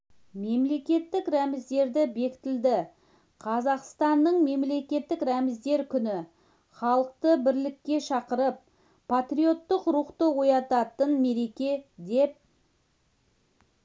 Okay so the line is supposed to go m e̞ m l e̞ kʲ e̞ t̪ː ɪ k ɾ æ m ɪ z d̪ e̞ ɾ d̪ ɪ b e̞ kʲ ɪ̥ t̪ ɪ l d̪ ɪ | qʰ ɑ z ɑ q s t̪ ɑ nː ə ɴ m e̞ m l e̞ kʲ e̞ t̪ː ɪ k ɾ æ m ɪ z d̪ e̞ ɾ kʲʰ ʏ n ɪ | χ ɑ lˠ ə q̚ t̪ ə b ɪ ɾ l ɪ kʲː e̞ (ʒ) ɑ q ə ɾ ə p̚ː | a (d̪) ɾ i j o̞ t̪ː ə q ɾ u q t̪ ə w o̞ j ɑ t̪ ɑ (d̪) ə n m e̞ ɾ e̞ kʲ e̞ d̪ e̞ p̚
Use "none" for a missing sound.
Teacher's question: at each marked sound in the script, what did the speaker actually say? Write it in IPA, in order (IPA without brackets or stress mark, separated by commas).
ʃ, t̪, t̪